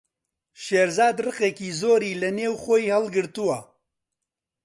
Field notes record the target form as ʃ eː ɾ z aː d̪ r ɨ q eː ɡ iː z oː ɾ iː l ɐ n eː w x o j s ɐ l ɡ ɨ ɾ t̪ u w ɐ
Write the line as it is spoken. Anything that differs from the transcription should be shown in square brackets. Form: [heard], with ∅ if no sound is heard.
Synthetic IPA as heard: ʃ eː ɾ z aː d̪ r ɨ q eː [k] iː z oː ɾ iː l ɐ n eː w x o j [h] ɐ l ɡ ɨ ɾ t̪ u w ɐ